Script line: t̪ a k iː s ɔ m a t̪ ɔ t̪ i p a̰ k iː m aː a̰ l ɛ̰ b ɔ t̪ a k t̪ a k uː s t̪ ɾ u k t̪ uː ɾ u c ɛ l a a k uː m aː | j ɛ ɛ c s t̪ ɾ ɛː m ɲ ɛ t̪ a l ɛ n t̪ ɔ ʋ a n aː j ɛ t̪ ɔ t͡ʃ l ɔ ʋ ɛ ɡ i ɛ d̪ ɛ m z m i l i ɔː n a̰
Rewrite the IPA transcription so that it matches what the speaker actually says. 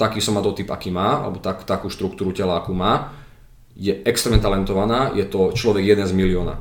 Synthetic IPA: t̪ a k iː s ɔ m a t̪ ɔ t̪ i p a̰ k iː m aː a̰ l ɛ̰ b ɔ t̪ a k t̪ a k uː ʃ t̪ ɾ u k t̪ uː ɾ u c ɛ l a a k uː m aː | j ɛ ɛ k s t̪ ɾ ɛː m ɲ ɛ t̪ a l ɛ n t̪ ɔ ʋ a n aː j ɛ t̪ ɔ t͡ʃ l ɔ ʋ ɛ ɡ j ɛ d̪ ɛ n z m i l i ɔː n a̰